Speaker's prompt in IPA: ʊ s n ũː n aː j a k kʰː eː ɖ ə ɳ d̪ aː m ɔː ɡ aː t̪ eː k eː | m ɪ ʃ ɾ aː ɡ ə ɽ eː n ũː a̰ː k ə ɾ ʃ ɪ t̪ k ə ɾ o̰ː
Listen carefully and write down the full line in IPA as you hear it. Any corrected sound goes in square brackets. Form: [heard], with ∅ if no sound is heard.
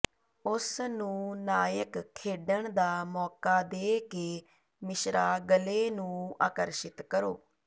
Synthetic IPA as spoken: ʊ s n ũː n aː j [ə] k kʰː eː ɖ ə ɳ d̪ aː m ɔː [k] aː [d̪] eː k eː | m ɪ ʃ ɾ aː ɡ ə [l] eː n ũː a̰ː k ə ɾ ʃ ɪ t̪ k ə ɾ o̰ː

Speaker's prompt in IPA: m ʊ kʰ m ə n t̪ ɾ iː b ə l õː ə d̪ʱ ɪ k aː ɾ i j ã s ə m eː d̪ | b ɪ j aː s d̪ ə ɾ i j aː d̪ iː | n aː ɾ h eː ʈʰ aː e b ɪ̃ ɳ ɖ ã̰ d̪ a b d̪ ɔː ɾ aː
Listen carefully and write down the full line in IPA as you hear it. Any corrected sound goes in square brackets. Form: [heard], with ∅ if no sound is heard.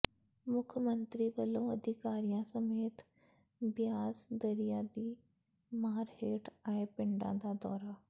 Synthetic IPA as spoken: m ʊ kʰ m ə n t̪ ɾ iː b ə l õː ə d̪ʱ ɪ k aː ɾ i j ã s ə m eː [t̪] | b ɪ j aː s d̪ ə ɾ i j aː d̪ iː | [m] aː ɾ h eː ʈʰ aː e [p] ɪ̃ ɳ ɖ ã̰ d̪ a [∅] d̪ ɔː ɾ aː

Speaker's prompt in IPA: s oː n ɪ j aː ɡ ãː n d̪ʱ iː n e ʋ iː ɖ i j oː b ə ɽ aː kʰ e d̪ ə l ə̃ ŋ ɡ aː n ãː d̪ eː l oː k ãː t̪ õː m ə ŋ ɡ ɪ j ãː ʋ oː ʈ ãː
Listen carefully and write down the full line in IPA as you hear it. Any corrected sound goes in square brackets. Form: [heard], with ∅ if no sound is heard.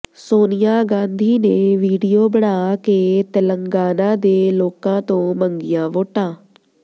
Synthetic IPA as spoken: s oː n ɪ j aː ɡ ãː n d̪ʱ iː n e ʋ iː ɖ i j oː b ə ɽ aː [k] e [t̪] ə l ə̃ ŋ ɡ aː n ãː d̪ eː l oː k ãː t̪ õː m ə ŋ ɡ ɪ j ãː ʋ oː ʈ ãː

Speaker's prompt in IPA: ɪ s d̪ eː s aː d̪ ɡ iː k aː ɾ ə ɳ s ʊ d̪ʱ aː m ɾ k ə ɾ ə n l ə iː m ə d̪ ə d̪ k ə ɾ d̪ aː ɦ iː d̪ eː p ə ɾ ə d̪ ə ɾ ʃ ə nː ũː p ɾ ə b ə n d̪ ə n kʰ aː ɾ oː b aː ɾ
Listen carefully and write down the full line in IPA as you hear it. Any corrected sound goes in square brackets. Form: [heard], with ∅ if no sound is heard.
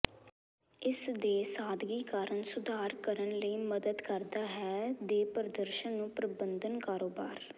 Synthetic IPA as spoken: ɪ s d̪ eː s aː d̪ ɡ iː k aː ɾ ə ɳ s ʊ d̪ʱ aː [∅] ɾ k ə ɾ ə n l ə iː m ə d̪ ə d̪ k ə ɾ d̪ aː ɦ [ɛː] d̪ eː p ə ɾ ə d̪ ə ɾ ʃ ə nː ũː p ɾ ə b ə n d̪ ə n [k] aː ɾ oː b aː ɾ

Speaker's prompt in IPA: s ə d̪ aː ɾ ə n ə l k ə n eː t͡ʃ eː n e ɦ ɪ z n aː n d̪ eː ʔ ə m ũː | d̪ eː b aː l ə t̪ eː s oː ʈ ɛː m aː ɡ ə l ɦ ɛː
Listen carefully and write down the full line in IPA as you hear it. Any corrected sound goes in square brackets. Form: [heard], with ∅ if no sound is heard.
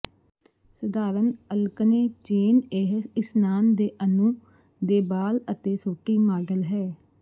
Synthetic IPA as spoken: s ə d̪ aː ɾ ə n ə l k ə n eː t͡ʃ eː n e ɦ ɪ [s] n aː n d̪ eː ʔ ə [n] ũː | d̪ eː b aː l ə t̪ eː s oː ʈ [iː] m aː ɡ ə l ɦ ɛː

